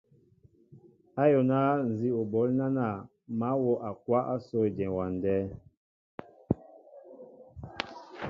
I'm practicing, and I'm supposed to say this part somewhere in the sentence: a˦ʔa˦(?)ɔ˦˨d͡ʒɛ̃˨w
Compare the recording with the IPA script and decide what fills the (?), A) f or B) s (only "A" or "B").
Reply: B